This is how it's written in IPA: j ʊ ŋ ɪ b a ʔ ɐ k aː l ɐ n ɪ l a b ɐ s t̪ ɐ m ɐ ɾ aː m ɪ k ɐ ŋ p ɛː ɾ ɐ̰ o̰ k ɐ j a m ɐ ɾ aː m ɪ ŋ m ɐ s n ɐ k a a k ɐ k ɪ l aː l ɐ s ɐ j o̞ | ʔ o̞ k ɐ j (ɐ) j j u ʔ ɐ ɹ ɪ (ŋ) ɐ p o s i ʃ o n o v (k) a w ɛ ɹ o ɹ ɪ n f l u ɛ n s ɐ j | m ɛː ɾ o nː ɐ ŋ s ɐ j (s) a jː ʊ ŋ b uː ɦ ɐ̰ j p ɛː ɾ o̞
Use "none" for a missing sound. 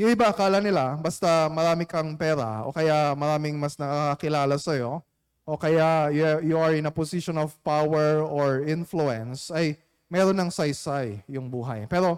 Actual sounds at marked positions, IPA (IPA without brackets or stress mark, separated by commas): a, n, p, s